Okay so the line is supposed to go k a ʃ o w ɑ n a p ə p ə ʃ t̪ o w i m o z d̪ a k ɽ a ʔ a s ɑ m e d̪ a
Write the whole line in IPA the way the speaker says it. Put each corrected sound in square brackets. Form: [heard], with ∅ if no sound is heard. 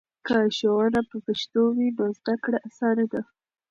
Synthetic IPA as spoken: k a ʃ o w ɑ n a p ə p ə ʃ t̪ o w i [n] o z d̪ a k ɽ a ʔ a s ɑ [n] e d̪ a